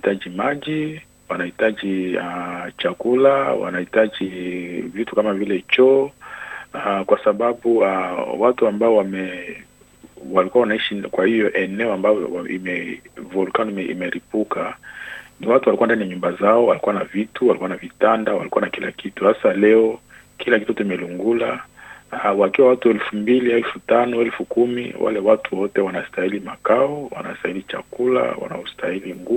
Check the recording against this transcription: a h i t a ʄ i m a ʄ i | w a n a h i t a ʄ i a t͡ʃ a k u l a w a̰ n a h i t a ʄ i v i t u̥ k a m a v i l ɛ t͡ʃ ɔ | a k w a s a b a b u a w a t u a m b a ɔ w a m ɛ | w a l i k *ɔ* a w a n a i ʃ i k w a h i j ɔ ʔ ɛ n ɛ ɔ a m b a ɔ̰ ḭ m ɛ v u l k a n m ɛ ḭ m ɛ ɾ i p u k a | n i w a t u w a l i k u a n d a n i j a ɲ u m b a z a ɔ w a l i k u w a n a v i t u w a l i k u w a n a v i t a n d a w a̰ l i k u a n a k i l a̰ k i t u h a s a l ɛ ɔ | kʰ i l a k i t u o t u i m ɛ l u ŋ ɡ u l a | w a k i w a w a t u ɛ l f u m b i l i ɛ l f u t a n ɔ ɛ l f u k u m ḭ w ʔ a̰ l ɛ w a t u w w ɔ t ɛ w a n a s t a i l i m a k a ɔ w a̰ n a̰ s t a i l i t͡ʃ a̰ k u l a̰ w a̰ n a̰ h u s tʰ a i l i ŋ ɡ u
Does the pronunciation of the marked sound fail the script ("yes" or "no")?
yes